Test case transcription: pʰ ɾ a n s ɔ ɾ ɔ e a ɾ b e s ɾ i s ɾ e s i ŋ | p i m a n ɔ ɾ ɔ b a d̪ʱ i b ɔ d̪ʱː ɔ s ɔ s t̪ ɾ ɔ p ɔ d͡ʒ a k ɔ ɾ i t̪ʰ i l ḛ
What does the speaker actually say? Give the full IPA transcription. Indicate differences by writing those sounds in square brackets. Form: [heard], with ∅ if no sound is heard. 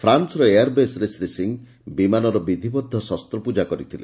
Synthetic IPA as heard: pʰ ɾ a n s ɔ ɾ ɔ e a ɾ b e s ɾ [e] s ɾ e s i ŋ | [b] i m a n ɔ ɾ ɔ b [i] d̪ʱ i b ɔ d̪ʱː ɔ s ɔ s t̪ ɾ ɔ p [u] d͡ʒ a k ɔ ɾ i t̪ʰ i l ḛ